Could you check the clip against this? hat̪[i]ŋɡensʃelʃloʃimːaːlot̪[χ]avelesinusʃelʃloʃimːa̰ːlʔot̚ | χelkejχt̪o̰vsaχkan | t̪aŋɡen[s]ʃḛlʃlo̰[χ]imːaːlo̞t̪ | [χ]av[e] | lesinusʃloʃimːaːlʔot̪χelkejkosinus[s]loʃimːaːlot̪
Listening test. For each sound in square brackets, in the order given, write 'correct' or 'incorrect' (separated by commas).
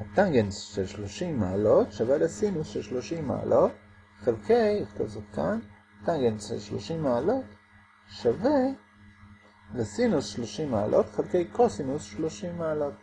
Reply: incorrect, incorrect, correct, incorrect, incorrect, correct, incorrect